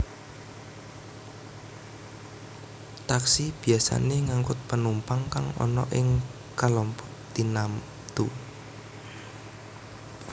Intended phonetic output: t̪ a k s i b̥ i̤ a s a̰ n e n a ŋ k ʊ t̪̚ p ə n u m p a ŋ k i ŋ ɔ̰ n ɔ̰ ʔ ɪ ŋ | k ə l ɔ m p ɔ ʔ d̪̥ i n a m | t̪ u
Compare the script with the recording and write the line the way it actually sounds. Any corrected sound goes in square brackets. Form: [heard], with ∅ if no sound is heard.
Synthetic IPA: t̪ a k s i b̥ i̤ a s a̰ n e [ŋ] a ŋ k ʊ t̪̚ p ə n u m p a ŋ k [a] ŋ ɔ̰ n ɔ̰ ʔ ɪ ŋ | k [a] l ɔ m p ɔ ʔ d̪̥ i n a m | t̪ u